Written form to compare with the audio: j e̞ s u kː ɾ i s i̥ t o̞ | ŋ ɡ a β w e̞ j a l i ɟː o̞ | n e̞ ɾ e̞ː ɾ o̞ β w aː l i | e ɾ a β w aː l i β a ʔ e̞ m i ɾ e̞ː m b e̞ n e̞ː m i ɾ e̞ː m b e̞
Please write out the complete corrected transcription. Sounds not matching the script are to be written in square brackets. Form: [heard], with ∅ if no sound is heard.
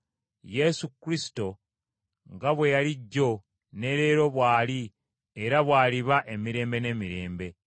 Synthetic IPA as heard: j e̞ s u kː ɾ i s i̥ t o̞ | ŋ ɡ a β w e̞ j a l i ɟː o̞ | n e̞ ɾ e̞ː ɾ o̞ β w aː l i | e ɾ a β w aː l i β a ʔ e̞ m i ɾ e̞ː m b e̞ n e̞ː m i ɾ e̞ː m b e̞

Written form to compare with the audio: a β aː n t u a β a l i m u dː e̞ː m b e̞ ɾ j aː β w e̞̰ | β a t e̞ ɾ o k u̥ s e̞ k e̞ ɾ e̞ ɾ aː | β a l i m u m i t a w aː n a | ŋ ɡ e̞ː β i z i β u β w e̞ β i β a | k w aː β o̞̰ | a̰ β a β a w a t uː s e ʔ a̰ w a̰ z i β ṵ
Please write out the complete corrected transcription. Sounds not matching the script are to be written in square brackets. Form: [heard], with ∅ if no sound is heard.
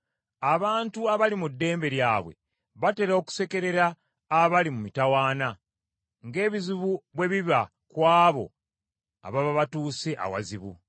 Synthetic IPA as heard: a β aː n t u a β a l i m u dː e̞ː m b e̞ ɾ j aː β w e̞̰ | β a t e̞ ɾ o k u̥ s e̞ k e̞ ɾ e̞ ɾ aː | β a l i m u m i t a w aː n a | ŋ ɡ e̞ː β i z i β u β w e̞ β i β a | k w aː β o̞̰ | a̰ β a β a [β] a t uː s e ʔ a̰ w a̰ z i β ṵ

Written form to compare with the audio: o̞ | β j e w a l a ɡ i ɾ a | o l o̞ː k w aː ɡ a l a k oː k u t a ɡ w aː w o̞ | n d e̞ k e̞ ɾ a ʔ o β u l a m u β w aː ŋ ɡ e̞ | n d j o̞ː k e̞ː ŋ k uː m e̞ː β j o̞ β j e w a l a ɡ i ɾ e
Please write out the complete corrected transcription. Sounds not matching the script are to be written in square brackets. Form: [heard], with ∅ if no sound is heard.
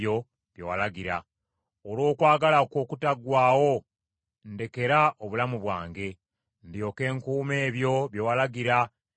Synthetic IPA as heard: o̞ | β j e w a l a ɡ i ɾ a | o l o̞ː k w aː ɡ a l a k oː k u t a ɡ w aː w o̞ | n d e̞ k e̞ ɾ a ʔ o β u l a m u β w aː ŋ ɡ e̞ | n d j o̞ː k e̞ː ŋ k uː m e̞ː β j o̞ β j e w a l a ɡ i ɾ [a]

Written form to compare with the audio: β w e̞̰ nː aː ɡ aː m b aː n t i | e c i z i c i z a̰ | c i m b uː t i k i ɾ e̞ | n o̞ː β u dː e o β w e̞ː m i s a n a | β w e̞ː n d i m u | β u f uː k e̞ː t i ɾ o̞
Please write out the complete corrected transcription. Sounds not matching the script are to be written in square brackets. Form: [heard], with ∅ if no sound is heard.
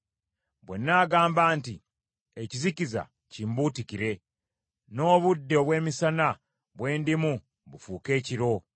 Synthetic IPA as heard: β w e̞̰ nː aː ɡ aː m b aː n t i | e c i z i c i z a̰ | c i m b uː t i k i ɾ e̞ | n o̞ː β u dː e o β w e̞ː m i s a n a | β w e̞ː n d i m u | β u f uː k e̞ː [c] i ɾ o̞

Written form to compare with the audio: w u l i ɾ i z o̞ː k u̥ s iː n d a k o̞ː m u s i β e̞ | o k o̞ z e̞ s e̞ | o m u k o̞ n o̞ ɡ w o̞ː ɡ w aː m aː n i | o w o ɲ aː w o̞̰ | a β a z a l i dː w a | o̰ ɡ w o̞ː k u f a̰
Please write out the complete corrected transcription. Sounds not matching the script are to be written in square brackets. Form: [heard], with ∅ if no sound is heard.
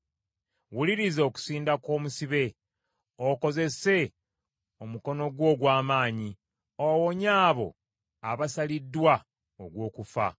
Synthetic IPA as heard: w u l i ɾ i z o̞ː k u̥ s iː n d a k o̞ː m u s i β e̞ | o k o̞ z e̞ s e̞ | o m u k o̞ n o̞ ɡ w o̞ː ɡ w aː m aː [ɲ] i | o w o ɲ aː [β] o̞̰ | a β a [s] a l i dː w a | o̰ ɡ w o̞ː k u f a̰

